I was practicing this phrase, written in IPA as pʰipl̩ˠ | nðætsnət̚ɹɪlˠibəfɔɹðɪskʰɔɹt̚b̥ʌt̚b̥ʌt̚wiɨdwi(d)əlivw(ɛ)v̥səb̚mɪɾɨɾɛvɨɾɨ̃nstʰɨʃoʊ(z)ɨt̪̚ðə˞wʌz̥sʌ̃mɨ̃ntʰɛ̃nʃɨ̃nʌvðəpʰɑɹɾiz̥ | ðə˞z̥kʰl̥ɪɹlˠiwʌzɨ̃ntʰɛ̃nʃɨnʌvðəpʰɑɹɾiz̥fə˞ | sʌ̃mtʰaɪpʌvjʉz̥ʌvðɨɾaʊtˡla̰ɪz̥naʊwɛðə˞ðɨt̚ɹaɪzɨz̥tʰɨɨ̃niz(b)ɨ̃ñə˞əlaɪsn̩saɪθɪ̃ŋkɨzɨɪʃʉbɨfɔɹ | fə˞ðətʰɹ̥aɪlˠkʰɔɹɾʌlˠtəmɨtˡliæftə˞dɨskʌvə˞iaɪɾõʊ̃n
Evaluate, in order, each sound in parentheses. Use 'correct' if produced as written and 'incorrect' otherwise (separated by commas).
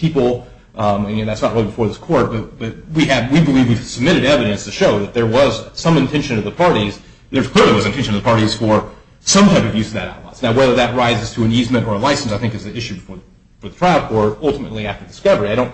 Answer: incorrect, incorrect, incorrect, incorrect